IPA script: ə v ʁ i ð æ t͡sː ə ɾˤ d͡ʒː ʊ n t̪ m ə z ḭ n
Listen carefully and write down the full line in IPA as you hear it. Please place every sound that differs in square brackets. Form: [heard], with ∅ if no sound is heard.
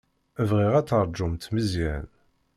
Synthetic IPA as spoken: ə v ʁ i [ʁ] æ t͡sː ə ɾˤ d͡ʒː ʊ [m] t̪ m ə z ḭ n